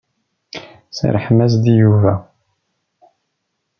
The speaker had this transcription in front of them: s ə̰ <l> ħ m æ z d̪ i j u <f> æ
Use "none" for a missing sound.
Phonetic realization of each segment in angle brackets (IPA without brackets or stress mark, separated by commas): ɾ, v